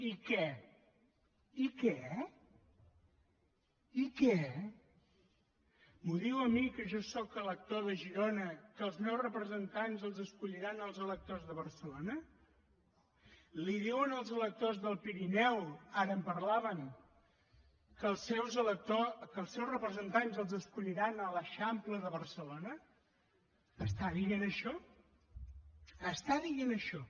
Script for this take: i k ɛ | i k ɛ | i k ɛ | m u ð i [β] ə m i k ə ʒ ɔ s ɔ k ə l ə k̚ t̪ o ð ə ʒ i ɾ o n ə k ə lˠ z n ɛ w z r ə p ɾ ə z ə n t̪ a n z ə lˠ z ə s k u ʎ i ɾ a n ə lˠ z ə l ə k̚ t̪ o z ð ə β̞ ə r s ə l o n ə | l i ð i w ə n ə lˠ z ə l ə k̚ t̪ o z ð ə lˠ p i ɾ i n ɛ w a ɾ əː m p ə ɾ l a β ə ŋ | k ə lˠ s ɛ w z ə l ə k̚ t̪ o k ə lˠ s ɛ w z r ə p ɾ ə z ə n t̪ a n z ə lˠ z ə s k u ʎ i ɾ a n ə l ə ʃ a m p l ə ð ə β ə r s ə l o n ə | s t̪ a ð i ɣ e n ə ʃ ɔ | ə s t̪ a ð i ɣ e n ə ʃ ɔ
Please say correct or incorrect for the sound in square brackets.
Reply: incorrect: w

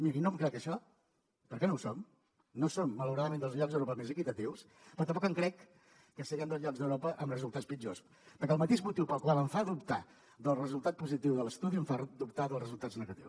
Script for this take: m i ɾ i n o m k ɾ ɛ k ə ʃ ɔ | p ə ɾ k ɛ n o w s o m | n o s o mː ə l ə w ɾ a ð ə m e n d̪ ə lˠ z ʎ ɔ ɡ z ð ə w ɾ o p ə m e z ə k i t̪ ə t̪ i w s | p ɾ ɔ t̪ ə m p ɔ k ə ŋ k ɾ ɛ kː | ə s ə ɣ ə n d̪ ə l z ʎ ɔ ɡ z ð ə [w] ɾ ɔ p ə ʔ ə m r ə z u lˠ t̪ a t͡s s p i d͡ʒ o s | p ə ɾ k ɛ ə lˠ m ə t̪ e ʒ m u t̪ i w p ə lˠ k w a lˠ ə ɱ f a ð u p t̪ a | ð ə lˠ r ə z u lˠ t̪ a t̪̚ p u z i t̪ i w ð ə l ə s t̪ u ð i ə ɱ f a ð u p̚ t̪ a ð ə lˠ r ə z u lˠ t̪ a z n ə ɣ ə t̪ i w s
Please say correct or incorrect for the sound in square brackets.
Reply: correct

